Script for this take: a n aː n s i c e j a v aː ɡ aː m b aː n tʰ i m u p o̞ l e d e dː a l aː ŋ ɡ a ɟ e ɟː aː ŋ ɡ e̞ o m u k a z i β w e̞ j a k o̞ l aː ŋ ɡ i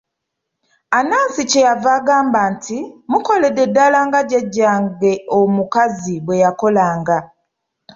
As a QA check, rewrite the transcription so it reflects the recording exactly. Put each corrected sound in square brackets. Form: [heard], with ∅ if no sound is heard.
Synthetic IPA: a n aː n s i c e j a v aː ɡ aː m b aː n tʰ i m u [k] o̞ l e d e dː a l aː ŋ ɡ a ɟ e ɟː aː ŋ ɡ e̞ o m u k a z i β w e̞ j a k o̞ l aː ŋ ɡ [a]